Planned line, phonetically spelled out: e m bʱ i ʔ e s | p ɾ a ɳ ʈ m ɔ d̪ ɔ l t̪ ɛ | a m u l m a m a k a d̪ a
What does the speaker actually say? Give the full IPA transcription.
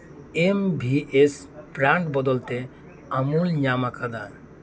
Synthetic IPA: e m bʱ i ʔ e s | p ɾ a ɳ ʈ b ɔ d̪ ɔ l t̪ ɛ | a m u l ɲ a m a k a d̪ a